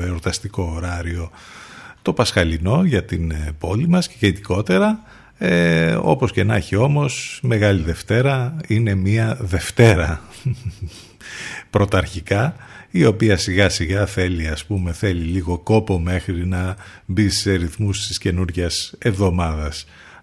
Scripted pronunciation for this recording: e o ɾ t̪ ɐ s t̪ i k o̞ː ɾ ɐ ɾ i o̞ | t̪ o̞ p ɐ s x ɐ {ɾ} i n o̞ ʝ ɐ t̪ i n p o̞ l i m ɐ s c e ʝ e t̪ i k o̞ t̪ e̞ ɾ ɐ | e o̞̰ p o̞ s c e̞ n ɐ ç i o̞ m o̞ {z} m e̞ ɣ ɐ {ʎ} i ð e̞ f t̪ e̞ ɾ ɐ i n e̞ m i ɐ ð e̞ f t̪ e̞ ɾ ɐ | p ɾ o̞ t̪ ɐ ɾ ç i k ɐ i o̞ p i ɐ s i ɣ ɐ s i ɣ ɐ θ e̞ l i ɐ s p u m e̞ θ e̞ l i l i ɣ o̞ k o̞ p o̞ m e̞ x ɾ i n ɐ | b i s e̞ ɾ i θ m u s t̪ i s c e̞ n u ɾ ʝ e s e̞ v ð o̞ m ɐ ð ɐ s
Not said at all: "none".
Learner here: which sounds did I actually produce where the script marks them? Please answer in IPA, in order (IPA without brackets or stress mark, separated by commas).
l, s, l